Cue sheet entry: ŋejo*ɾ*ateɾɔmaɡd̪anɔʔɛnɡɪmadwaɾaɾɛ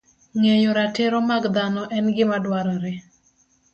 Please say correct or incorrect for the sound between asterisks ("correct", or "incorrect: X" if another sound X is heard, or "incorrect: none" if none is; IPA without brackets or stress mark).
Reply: correct